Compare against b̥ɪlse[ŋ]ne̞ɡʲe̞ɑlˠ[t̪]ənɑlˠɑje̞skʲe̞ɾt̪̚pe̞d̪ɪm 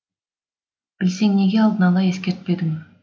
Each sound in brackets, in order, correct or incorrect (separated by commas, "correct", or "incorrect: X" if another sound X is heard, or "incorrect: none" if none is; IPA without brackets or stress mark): correct, incorrect: d̪